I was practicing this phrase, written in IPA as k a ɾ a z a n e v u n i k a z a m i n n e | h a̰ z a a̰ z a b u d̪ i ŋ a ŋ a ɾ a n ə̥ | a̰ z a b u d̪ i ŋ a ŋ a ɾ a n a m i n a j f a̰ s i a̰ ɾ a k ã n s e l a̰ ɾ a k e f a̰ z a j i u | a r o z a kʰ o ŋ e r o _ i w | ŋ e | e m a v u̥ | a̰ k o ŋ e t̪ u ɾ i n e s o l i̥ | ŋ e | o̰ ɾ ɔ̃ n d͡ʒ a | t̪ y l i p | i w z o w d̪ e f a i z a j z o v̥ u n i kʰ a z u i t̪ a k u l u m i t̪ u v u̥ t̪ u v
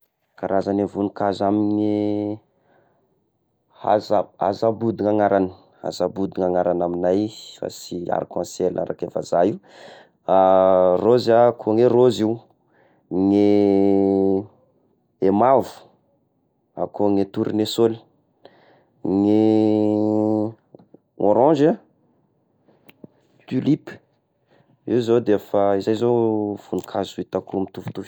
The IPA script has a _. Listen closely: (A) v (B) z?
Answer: B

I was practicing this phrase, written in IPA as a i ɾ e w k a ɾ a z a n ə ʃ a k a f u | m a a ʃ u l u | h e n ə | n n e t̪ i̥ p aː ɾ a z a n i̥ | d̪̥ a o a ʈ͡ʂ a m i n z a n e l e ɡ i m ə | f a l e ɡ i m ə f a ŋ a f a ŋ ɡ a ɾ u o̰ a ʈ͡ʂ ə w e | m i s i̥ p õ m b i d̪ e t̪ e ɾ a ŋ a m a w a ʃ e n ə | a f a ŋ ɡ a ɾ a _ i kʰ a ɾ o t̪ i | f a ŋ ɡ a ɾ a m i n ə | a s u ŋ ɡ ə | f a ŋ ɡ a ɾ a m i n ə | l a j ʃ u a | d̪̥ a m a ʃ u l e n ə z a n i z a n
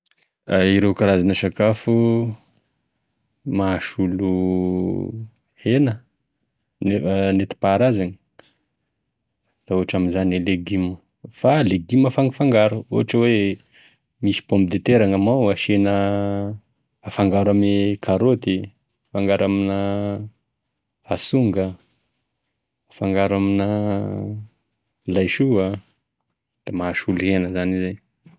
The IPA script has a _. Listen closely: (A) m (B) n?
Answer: A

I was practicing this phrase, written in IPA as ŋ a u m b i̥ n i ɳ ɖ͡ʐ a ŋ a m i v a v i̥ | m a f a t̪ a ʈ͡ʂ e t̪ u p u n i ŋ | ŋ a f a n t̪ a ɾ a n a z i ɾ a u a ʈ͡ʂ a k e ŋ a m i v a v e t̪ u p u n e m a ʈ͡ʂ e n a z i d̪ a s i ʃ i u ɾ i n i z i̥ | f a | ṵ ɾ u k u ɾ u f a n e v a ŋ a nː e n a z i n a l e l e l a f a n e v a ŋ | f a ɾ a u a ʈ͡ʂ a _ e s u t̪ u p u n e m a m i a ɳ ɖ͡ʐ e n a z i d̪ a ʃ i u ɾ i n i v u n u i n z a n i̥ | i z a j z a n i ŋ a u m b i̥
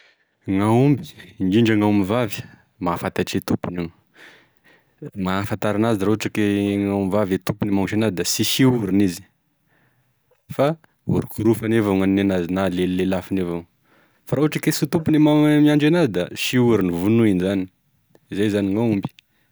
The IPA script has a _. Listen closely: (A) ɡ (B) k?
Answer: B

